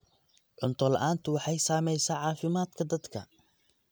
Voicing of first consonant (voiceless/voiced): voiced